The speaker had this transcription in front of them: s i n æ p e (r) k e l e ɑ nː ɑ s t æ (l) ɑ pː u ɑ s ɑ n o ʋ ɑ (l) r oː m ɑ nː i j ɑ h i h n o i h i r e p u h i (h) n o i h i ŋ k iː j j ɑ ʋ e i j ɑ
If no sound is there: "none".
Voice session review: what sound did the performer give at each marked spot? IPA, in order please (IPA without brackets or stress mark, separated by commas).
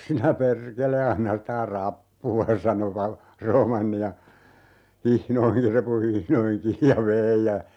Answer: r, r, l, h